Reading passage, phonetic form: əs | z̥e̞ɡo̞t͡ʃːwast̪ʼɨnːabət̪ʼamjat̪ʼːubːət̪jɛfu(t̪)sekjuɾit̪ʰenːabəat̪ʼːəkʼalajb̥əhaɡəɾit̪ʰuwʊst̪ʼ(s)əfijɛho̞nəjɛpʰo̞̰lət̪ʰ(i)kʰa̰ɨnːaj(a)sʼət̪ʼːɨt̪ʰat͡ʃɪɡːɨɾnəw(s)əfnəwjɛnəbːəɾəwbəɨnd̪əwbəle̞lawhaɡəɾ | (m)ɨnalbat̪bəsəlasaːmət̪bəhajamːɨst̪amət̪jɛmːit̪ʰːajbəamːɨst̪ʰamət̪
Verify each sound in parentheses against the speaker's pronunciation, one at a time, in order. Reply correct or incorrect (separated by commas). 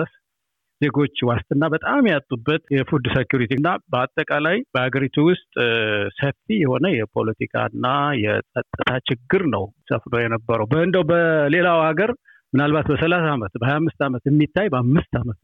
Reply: incorrect, correct, correct, incorrect, correct, correct